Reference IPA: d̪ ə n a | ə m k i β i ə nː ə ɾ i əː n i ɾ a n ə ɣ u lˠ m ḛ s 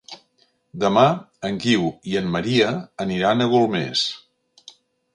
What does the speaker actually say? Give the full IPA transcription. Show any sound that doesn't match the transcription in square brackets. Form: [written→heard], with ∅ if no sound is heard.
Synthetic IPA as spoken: d̪ ə [n→m] a | ə [m→ŋ] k i [β→w] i ə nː ə ɾ i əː n i ɾ a n ə ɣ u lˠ m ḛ s